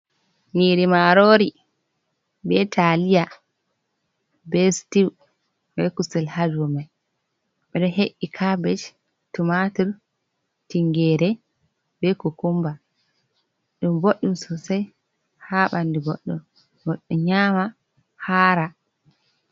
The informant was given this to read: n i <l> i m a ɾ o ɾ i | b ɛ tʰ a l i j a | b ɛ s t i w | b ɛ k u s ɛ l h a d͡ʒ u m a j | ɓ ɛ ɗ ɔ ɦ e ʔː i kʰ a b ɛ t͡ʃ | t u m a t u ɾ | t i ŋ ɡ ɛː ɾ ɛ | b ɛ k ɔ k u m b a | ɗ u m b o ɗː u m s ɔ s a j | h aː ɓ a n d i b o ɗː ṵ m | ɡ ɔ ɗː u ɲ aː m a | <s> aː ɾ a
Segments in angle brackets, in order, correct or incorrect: incorrect: ɾ, incorrect: h

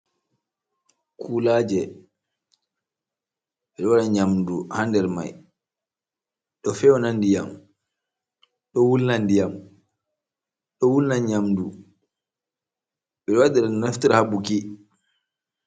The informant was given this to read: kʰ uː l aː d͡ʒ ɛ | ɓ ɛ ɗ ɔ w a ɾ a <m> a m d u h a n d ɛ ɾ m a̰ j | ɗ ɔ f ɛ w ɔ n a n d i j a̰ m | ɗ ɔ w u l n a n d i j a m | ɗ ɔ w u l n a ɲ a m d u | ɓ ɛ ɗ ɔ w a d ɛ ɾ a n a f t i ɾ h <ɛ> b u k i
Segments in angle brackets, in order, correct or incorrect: incorrect: ɲ, incorrect: a

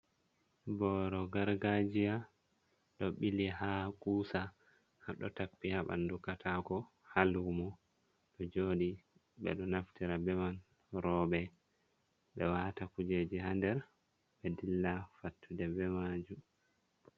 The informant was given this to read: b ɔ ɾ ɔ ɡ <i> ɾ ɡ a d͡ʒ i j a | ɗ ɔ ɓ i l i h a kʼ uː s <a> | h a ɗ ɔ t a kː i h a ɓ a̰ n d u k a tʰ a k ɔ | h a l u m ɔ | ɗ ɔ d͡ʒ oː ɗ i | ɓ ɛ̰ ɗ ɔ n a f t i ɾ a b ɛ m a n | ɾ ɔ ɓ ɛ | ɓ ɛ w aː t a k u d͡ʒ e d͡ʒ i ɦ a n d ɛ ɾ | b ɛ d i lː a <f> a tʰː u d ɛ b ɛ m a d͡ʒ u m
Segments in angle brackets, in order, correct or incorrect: incorrect: a, correct, correct

